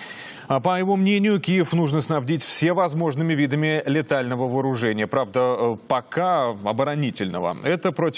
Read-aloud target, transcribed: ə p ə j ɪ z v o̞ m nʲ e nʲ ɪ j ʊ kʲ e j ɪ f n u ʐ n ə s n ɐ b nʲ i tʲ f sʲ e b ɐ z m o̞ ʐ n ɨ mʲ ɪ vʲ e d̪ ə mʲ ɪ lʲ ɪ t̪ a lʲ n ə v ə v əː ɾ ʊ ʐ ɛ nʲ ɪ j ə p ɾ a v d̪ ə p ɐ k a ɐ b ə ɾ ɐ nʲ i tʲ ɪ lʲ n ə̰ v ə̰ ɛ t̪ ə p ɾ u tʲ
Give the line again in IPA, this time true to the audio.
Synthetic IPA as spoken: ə p ə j ɪ v o̞ m nʲ e nʲ ɪ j ʊ kʲ i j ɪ f n u ʐ n ə s n ɐ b dʲ i tʲ f sʲ e v ɐ z m o̞ ʐ n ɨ mʲ ɪ vʲ i d̪ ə mʲ ɪ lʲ ɪ t̪ a lʲ n ə v ə v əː ɾ ʊ ʐ ɛ nʲ ɪ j ə p ɾ a v d̪ ə p ɐ k a ɐ b ə ɾ ɐ nʲ i tʲ ɪ lʲ n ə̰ v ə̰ ɛ t̪ ə p ɾ o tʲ